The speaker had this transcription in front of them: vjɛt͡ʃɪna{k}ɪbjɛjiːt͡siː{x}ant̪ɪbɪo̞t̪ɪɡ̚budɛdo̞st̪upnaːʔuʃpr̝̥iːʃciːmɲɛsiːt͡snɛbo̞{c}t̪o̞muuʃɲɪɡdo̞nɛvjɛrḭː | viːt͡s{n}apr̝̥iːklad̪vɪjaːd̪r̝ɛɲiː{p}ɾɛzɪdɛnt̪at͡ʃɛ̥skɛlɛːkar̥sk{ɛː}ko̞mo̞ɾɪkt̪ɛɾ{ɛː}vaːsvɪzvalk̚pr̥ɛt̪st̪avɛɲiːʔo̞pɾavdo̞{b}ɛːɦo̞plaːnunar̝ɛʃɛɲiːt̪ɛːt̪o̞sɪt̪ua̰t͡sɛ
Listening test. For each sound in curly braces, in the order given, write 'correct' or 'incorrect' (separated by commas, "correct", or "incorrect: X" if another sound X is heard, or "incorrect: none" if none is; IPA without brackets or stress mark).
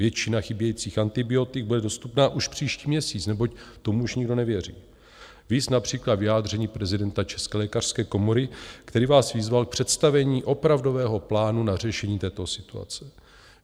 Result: incorrect: x, correct, correct, correct, correct, correct, incorrect: iː, incorrect: v